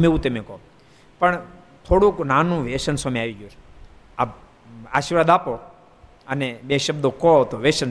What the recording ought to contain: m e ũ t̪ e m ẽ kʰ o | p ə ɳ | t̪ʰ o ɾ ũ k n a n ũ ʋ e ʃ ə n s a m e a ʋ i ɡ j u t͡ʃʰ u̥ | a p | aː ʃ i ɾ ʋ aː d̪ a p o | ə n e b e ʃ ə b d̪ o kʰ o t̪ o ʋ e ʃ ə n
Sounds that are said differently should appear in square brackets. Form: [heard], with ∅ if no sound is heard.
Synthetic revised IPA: m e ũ t̪ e m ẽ [k] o | p ə ɳ | t̪ʰ o [ɽ] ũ k n a n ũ ʋ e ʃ ə n s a m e a ʋ i ɡ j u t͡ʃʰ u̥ | a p | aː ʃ i ɾ ʋ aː d̪ a p o | ə n e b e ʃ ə b d̪ o [k] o t̪ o ʋ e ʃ ə n